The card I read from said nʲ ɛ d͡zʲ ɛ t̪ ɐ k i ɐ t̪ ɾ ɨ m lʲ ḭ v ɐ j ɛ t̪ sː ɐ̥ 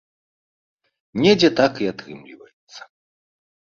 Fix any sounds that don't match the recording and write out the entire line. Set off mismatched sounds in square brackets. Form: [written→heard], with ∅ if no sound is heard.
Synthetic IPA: nʲ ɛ d͡zʲ ɛ t̪ [ɐ→a] k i [ɐ→a] t̪ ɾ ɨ m lʲ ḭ v ɐ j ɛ t̪ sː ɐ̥